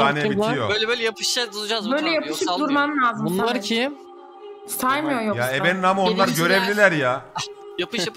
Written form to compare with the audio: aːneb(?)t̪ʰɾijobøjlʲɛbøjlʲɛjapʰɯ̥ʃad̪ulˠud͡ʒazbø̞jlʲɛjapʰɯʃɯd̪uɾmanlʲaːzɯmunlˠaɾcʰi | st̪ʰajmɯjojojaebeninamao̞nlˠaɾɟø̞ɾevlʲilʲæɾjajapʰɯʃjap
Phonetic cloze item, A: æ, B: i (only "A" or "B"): B